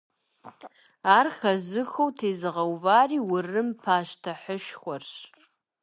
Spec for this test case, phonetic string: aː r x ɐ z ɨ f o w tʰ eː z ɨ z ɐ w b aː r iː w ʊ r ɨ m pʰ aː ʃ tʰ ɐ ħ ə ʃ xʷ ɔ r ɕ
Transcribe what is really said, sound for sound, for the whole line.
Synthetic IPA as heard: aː r x ɐ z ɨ x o w tʰ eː z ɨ ʁ ɐ w v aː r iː w ʊ r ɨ m pʰ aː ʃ tʰ ɐ ħ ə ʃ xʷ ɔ r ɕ